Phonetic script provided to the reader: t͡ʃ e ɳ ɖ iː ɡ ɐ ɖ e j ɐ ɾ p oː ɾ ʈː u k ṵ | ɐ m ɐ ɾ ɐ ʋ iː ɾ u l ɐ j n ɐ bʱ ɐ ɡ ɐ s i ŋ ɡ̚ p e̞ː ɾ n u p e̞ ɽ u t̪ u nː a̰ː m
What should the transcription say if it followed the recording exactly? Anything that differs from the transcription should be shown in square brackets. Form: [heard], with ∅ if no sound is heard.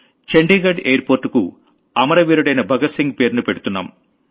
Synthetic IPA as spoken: t͡ʃ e ɳ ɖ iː ɡ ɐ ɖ e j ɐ ɾ p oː ɾ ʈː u k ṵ | ɐ m ɐ ɾ ɐ ʋ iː ɾ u [ɽ] ɐ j n ɐ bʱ ɐ ɡ ɐ s i ŋ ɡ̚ p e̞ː ɾ n u p e̞ ɽ u t̪ u nː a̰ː m